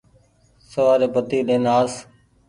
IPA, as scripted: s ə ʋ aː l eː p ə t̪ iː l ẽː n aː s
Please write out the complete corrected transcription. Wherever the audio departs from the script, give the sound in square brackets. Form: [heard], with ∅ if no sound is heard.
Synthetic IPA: s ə ʋ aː [ɾ] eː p ə t̪ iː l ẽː n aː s